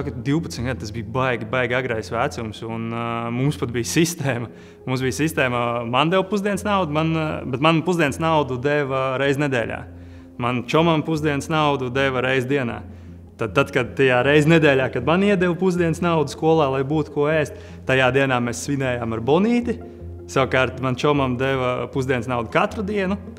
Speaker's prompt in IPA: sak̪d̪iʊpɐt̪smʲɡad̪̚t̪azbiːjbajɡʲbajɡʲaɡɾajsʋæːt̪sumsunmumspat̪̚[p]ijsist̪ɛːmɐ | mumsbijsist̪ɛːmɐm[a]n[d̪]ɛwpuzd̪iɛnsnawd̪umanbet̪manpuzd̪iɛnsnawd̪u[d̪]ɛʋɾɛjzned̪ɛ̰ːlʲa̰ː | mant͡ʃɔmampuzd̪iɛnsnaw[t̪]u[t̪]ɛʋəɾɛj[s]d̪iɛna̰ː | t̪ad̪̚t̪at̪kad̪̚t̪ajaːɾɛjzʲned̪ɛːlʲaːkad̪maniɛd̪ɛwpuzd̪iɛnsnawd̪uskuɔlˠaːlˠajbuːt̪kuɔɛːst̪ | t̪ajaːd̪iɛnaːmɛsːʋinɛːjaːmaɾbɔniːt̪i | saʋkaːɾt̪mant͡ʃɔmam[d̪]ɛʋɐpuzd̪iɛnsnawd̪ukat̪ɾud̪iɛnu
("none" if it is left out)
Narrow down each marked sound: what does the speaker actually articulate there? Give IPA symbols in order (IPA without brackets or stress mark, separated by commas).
b, a, d̪, d̪, d̪, d̪, z, d̪